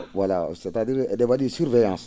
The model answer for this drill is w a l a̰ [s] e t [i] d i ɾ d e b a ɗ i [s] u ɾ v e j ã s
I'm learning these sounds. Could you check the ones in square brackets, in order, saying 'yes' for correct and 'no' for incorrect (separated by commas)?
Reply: yes, no, yes